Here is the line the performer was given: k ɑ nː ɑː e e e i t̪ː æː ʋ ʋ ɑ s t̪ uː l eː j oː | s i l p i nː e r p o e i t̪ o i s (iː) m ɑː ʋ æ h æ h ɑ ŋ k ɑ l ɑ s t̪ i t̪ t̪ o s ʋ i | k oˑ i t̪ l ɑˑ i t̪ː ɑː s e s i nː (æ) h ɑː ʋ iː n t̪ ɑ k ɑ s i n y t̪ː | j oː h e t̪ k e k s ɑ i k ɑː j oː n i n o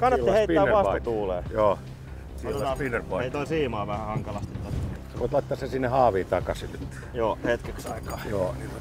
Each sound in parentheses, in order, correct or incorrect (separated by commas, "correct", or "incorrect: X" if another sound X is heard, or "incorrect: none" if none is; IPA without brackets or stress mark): correct, incorrect: e